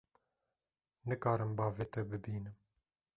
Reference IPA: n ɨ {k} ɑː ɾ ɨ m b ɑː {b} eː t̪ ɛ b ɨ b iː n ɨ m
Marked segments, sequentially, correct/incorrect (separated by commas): correct, incorrect